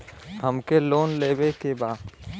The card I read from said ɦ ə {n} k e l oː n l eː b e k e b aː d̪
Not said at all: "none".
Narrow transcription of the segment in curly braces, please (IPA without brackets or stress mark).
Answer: m